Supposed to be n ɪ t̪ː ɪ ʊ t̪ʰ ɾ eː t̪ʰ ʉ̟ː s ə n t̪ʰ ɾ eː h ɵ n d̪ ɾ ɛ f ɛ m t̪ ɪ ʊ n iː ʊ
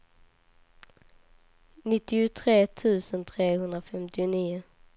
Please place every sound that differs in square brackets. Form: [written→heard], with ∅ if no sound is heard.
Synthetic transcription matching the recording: n ɪ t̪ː ɪ ʊ t̪ʰ ɾ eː t̪ʰ ʉ̟ː s ə n t̪ʰ ɾ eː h ɵ n d̪ ɾ [ɛ→a] f ɛ m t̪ ɪ ʊ n iː ʊ